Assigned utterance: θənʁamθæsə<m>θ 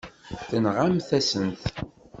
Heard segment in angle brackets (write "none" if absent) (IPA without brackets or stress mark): n